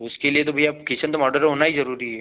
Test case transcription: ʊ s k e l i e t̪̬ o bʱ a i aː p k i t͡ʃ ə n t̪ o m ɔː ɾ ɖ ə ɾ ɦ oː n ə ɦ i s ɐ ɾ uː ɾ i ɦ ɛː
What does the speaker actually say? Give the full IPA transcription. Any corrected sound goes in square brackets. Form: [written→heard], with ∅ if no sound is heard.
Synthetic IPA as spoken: ʊ s k e l i e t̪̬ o bʱ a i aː p k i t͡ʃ ə n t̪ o m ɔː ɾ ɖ ə ɾ ɦ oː n [ə→a] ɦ i [s→z] ɐ ɾ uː ɾ i ɦ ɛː